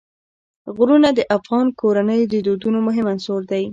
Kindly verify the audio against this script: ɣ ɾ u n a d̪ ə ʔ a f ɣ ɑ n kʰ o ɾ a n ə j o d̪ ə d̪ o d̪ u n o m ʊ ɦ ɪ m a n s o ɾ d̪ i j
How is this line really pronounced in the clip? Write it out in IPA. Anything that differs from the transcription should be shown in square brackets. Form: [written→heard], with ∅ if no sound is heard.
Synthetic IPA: ɣ ɾ u n a d̪ ə ʔ a f ɣ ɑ n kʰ o ɾ a n ə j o d̪ ə d̪ o d̪ u n o m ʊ ɦ ɪ m a n s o ɾ d̪ [i→a] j